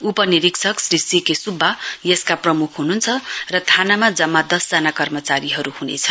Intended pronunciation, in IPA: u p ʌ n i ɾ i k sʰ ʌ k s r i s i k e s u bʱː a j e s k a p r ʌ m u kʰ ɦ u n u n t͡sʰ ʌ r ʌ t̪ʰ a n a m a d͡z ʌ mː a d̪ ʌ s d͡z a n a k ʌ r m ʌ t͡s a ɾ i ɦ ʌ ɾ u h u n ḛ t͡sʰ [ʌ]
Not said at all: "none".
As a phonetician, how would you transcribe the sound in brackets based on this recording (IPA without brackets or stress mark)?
ʌ